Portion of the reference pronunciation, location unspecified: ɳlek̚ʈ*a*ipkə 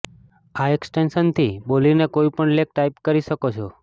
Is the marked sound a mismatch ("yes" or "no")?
no